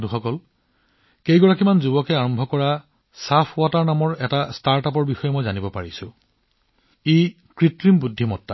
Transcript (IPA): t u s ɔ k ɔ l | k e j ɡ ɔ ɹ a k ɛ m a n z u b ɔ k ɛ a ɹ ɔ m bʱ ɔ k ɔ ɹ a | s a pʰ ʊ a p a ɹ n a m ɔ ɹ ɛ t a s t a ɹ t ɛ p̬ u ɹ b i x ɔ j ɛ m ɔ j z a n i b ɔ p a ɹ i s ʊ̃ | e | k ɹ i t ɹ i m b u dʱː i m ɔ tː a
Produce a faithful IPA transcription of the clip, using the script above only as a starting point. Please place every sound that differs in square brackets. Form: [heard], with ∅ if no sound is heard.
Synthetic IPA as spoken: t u [x] ɔ k ɔ l | k e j ɡ ɔ ɹ a k [i] m a n z u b ɔ k ɛ a ɹ ɔ m bʱ ɔ k ɔ ɹ a | s a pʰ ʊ a [t] a ɹ n a m ɔ ɹ ɛ t a s t a ɹ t [a] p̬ [ɔ] ɹ b i x ɔ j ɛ m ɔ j z a n i b ɔ p a ɹ i s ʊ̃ | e | k ɹ i t ɹ i m b u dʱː i m ɔ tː a